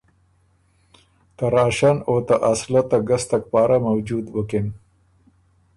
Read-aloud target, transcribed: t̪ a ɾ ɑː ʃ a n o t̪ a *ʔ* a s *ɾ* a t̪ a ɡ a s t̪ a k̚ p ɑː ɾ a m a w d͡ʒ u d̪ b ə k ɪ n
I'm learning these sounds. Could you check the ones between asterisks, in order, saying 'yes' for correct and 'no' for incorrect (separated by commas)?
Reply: yes, no